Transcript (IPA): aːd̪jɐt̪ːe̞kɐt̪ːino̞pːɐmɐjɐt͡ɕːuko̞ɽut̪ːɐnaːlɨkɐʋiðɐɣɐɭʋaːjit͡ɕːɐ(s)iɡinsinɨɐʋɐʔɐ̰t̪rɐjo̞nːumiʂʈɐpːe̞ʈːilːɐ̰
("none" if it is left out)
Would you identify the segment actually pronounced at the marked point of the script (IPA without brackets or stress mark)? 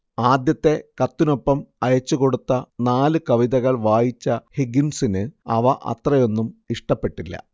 h